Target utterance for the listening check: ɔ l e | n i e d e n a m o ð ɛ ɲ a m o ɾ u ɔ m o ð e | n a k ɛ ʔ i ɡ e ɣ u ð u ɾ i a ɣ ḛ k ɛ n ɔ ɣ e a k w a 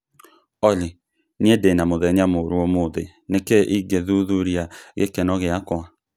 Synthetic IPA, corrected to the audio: ɔ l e | n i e d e n a m o ð ɛ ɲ a m o ɾ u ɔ m o ð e | n e k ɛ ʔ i ɡ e ð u ð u ɾ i a ɣ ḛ k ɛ n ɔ ɣ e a k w a